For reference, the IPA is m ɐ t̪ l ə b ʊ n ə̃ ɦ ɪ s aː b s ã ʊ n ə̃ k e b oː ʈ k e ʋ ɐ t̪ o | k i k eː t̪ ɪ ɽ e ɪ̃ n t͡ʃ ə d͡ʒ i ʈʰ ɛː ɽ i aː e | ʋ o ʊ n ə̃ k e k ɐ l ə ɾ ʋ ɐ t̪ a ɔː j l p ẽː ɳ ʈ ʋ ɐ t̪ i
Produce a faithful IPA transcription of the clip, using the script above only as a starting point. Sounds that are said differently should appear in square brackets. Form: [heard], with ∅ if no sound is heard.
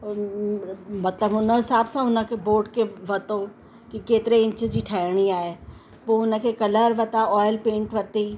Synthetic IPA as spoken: m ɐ t̪ l ə b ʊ n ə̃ ɦ ɪ s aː b s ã ʊ n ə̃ k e b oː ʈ k e ʋ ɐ t̪ o | k i k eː t̪ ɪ [ɾ] e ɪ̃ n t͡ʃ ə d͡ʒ i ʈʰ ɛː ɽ i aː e | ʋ o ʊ n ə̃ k e k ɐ l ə ɾ ʋ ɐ t̪ a ɔː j l p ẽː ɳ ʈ ʋ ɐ t̪ i